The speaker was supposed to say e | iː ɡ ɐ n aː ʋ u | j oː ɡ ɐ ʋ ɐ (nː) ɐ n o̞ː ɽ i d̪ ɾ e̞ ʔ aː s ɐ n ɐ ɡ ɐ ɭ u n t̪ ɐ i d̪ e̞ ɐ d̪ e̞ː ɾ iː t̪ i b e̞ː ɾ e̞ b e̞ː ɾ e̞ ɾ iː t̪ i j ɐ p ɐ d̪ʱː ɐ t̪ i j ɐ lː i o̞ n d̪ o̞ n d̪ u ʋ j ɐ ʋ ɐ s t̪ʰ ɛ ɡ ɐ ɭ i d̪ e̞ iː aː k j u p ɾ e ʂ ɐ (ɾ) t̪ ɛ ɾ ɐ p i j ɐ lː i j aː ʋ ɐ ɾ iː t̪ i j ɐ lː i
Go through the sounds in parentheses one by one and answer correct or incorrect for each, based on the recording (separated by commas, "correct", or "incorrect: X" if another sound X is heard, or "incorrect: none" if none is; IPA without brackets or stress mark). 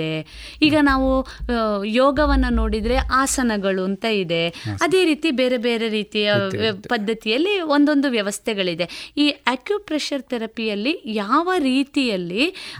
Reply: correct, correct